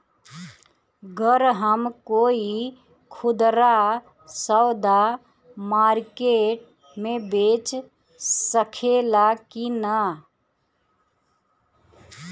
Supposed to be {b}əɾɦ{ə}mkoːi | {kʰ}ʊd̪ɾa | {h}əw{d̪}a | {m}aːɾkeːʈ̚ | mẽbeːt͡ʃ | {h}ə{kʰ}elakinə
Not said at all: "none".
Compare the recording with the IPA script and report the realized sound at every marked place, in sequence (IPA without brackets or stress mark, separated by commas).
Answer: ɡ, ə, kʰ, s, d̪, m, s, kʰ